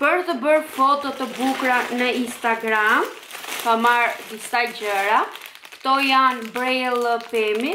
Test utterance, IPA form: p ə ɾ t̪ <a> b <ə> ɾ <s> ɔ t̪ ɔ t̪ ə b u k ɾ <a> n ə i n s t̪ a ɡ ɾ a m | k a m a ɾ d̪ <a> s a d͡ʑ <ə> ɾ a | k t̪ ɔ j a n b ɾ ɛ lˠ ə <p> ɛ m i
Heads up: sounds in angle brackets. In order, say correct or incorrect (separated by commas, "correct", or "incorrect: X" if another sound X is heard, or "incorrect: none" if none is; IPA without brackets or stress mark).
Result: incorrect: ə, correct, incorrect: f, correct, incorrect: i, correct, correct